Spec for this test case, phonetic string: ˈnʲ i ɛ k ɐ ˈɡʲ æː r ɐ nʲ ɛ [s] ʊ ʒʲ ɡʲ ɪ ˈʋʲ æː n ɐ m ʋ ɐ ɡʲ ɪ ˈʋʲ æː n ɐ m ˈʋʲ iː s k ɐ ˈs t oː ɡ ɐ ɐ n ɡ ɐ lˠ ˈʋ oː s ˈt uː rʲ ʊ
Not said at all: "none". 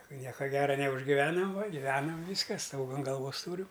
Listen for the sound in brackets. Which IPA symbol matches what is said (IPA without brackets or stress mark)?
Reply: none